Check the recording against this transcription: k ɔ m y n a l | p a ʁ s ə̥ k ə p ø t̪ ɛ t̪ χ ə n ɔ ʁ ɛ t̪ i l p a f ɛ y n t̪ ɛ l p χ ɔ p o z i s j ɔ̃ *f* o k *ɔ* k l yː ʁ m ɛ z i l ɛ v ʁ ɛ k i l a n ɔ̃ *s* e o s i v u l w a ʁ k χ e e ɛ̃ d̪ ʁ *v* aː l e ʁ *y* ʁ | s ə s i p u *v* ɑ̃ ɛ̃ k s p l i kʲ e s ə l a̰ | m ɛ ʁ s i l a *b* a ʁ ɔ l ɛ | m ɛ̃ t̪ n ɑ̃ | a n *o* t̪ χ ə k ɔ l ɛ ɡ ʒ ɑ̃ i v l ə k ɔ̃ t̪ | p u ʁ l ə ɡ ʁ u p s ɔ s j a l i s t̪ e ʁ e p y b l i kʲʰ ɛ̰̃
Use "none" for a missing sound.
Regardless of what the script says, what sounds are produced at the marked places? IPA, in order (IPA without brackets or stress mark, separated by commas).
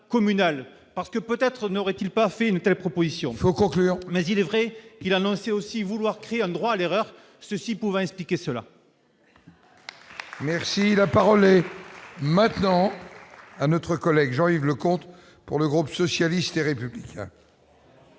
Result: f, ɔ̃, s, w, œ, v, p, ɔ